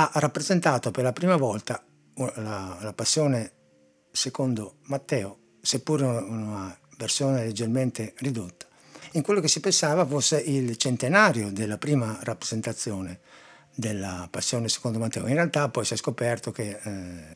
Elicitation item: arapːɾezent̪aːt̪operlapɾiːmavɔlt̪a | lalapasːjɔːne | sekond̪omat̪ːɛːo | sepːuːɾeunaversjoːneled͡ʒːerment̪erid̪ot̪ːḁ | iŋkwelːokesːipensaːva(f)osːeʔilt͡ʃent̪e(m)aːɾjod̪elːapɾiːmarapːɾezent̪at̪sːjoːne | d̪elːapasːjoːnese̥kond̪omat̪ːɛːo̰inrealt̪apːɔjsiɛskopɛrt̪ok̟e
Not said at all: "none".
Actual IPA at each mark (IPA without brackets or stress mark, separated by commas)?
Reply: f, n